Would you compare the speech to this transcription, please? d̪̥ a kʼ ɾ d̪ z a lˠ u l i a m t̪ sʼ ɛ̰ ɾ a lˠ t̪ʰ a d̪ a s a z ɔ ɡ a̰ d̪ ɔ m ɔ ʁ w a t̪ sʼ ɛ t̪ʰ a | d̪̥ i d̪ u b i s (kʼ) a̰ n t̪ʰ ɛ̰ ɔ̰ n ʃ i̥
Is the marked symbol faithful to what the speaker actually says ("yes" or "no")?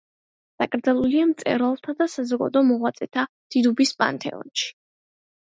no